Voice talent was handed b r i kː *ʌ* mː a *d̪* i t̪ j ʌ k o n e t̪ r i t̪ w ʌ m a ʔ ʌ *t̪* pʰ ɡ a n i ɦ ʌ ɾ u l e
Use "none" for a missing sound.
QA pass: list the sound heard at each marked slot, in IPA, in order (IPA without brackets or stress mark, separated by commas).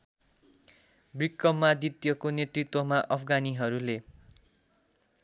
ʌ, d̪, none